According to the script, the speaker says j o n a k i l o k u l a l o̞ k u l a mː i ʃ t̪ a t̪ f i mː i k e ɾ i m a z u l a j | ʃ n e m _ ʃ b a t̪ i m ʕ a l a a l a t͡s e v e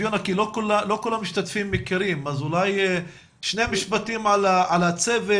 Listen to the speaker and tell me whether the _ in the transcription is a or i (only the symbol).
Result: i